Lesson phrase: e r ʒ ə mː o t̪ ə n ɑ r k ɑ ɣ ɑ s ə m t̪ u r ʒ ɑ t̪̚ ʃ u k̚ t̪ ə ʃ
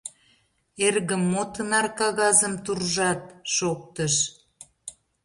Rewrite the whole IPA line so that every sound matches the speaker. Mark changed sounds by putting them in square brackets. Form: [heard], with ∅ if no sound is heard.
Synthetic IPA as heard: e r [ɣ] ə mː o t̪ ə n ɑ r k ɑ ɣ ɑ [z] ə m t̪ u r ʒ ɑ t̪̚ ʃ [o] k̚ t̪ ə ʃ

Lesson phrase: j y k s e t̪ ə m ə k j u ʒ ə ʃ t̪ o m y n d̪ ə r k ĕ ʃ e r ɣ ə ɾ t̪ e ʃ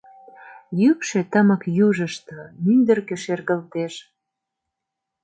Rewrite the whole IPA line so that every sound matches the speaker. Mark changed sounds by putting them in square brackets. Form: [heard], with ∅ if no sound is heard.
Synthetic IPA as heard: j y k [ʃ] e t̪ ə m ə k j u ʒ ə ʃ t̪ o m y n d̪ ə r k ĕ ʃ e r ɣ ə [l] t̪ e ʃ

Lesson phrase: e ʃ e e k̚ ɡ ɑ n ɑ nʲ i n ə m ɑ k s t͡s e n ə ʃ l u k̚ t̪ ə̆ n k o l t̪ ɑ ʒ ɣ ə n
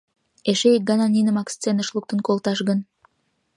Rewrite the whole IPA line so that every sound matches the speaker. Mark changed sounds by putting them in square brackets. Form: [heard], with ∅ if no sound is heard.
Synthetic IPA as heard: e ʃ e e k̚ ɡ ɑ n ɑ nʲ i n ə m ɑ k s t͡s e n ə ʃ l u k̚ t̪ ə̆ n k o l t̪ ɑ [ʃ] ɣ ə n

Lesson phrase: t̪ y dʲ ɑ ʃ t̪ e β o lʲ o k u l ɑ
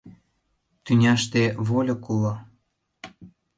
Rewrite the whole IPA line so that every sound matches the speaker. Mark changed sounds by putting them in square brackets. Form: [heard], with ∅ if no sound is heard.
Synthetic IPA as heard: t̪ y [nʲ] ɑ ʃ t̪ e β o lʲ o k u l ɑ

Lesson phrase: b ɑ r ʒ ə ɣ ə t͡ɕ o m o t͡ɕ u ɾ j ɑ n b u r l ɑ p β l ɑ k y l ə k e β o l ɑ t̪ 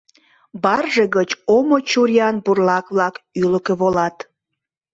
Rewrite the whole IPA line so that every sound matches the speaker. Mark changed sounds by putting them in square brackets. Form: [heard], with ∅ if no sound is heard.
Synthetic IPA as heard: b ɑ r ʒ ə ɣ ə t͡ɕ o m o t͡ɕ u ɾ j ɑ n b u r l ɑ [k] β l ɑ k y l ə k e β o l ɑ t̪

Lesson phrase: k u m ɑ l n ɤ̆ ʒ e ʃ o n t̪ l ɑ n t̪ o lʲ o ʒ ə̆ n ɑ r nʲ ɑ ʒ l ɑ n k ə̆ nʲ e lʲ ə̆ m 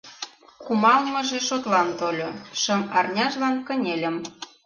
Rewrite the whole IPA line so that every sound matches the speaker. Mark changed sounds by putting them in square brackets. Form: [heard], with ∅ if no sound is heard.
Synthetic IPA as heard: k u m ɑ l [m] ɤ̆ ʒ e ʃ o [∅] t̪ l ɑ n t̪ o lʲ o [ʃ] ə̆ [m] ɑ r nʲ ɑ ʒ l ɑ n k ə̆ nʲ e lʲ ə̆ m

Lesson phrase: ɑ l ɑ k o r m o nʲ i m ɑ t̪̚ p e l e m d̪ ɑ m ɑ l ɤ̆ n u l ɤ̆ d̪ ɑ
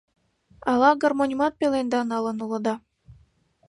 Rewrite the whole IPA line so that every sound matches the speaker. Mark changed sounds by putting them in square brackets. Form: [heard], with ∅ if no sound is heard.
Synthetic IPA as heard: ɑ l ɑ [ɡ] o r m o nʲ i m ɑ t̪̚ p e l e [n] d̪ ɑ [n] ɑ l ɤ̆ n u l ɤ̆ d̪ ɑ

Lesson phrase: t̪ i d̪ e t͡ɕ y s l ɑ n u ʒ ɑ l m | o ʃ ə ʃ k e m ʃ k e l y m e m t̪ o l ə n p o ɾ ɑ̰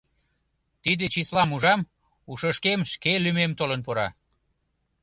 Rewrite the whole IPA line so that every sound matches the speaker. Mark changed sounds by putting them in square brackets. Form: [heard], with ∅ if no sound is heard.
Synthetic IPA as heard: t̪ i d̪ e t͡ɕ [i] s l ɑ [m] u ʒ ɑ [∅] m | [u] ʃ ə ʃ k e m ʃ k e l y m e m t̪ o l ə n p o ɾ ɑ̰

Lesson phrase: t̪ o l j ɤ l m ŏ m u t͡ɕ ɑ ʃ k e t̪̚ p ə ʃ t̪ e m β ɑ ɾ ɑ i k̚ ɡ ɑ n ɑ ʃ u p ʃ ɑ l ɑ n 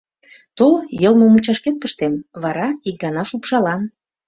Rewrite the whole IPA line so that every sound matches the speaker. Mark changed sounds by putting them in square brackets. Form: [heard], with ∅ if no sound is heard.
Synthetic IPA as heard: t̪ o l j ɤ l m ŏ m u t͡ɕ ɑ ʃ k e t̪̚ p ə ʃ t̪ e m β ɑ ɾ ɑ i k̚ ɡ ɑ n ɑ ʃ u p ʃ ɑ l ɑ n

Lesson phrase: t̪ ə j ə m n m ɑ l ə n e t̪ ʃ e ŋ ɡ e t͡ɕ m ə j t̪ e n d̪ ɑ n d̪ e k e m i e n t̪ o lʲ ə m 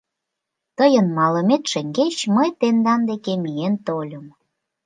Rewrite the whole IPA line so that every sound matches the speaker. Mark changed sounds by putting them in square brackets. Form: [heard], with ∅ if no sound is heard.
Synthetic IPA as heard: t̪ ə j ə [∅] n m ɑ l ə [m] e t̪ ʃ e ŋ ɡ e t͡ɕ m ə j t̪ e n d̪ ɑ n d̪ e k e m i e n t̪ o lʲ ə m

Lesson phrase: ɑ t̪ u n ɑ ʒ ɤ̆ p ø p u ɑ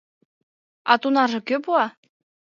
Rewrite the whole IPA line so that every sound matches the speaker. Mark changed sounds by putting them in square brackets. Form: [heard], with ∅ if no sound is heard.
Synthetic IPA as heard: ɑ t̪ u n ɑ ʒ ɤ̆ [k] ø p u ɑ

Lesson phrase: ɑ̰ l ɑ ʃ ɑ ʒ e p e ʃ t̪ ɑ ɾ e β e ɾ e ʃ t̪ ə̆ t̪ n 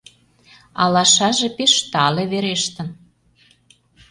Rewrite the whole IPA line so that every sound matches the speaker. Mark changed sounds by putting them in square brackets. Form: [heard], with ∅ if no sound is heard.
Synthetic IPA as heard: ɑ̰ l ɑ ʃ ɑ ʒ e p e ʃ t̪ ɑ [l] e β e ɾ e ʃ t̪ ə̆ [∅] n

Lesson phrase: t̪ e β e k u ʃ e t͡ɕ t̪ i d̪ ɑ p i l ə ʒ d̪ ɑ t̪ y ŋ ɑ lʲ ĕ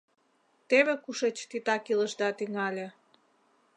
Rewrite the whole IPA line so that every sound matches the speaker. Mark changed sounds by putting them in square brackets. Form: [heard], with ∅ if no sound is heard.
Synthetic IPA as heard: t̪ e β e k u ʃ e t͡ɕ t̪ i [t̪] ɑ [k] i l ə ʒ d̪ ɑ t̪ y ŋ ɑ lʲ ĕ

